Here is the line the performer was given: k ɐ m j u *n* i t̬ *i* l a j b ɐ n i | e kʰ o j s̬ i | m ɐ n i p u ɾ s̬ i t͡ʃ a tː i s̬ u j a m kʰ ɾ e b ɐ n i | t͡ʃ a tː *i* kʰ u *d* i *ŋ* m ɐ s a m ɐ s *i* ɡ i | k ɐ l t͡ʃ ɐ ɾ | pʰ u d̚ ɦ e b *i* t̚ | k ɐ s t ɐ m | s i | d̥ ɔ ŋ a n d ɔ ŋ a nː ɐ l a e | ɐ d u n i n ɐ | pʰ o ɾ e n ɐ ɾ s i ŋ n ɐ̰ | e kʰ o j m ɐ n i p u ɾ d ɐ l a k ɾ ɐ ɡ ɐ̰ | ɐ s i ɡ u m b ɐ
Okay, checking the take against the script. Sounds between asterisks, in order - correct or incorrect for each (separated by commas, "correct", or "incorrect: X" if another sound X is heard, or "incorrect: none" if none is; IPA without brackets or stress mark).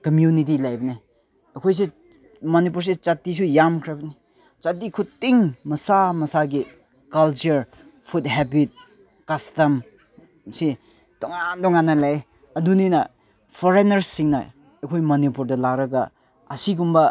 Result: correct, correct, correct, incorrect: t, correct, incorrect: a, correct